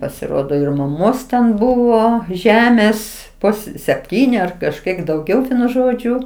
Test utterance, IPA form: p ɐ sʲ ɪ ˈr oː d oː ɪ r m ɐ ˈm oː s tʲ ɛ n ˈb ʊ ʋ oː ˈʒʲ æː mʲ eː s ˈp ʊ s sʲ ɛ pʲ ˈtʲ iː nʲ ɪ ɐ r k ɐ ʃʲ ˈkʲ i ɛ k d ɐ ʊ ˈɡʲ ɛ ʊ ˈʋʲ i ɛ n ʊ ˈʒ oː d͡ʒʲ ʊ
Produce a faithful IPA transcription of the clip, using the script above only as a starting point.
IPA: p ɐ sʲ ɪ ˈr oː d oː ɪ r m ɐ ˈm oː s tʲ ɛ n ˈb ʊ ʋ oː ˈʒʲ æː mʲ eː s ˈp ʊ s sʲ ɛ pʲ ˈtʲ iː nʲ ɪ ɐ r k ɐ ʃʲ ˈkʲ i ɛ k d ɐ ʊ ˈɡʲ ɛ ʊ ˈʋʲ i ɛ n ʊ ˈʒ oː d͡ʒʲ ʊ